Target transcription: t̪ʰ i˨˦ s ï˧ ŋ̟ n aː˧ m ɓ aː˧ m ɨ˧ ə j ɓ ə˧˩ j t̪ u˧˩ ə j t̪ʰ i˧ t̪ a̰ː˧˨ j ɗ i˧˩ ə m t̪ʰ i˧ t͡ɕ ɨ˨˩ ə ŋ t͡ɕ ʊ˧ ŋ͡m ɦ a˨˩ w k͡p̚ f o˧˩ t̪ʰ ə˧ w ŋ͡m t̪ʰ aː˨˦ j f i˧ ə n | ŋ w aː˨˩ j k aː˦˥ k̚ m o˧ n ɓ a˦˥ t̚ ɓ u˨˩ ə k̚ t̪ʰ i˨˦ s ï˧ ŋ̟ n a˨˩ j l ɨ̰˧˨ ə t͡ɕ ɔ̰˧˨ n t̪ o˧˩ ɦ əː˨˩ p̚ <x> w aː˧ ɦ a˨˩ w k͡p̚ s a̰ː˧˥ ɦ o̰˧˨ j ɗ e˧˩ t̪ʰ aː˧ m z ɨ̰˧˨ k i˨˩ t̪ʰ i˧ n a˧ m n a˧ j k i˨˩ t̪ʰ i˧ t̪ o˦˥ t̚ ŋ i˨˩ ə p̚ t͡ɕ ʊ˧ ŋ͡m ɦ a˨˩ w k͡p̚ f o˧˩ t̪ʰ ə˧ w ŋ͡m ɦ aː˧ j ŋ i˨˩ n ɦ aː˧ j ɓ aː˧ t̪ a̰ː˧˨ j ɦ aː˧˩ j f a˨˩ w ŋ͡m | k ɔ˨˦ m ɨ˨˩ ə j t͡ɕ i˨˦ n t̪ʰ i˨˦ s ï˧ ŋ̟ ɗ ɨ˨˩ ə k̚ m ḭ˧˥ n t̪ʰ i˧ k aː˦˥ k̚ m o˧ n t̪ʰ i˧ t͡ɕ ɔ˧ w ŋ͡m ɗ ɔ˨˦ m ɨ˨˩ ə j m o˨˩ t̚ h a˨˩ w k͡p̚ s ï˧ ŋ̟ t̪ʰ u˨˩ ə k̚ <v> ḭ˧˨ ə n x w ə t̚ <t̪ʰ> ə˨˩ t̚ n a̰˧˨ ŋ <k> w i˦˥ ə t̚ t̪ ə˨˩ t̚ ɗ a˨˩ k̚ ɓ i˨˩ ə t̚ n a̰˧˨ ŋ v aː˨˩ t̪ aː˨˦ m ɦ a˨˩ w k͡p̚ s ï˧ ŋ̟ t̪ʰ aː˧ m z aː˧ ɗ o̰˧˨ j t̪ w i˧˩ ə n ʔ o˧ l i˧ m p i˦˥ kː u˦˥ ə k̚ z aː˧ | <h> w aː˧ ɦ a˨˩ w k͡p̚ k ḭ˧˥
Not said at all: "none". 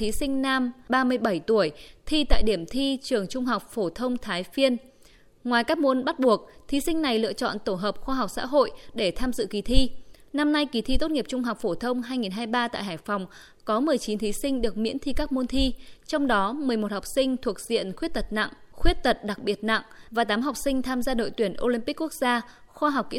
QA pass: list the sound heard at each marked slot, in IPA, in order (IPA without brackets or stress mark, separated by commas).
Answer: x, z, t̪, x, x